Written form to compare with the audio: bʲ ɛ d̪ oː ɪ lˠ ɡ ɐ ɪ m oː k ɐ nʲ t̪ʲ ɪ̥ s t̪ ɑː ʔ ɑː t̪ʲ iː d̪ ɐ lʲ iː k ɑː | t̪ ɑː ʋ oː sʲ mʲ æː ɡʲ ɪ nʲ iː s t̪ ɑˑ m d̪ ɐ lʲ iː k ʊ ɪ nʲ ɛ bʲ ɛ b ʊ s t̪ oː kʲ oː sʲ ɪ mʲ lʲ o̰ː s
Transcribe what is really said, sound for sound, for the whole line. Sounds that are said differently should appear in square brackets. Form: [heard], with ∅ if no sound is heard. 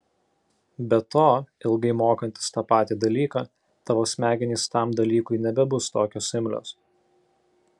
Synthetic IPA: bʲ ɛ [t̪] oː ɪ lˠ ɡ ɐ ɪ m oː k ɐ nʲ t̪ʲ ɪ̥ s t̪ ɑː [p] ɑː t̪ʲ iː d̪ ɐ lʲ iː k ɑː | t̪ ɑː ʋ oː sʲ mʲ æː ɡʲ ɪ nʲ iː s t̪ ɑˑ m d̪ ɐ lʲ iː k ʊ ɪ nʲ ɛ bʲ ɛ b ʊ s t̪ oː kʲ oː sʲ ɪ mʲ lʲ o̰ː s